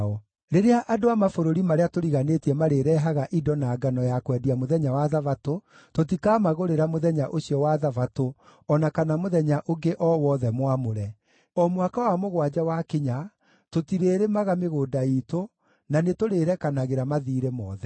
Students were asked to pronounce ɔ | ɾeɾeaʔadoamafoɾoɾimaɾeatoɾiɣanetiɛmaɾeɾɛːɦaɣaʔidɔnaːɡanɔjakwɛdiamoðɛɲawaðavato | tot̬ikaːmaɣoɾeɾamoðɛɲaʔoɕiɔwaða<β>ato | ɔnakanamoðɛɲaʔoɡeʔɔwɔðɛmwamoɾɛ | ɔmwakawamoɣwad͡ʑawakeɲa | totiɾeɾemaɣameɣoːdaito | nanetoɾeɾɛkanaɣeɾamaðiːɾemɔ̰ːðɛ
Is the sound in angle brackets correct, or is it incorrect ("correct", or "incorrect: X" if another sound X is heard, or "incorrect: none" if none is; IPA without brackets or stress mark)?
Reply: incorrect: v